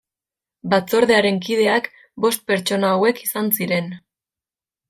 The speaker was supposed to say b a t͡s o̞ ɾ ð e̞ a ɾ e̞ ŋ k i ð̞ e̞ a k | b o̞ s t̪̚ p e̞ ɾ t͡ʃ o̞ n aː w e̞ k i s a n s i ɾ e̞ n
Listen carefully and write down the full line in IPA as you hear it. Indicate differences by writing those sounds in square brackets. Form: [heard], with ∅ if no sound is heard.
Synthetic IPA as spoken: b a t͡s o̞ ɾ ð e̞ a ɾ e̞ ŋ k i ð̞ e̞ a k | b o̞ s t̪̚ p e̞ ɾ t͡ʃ o̞ n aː w e̞ k i s a n s i ɾ e̞ n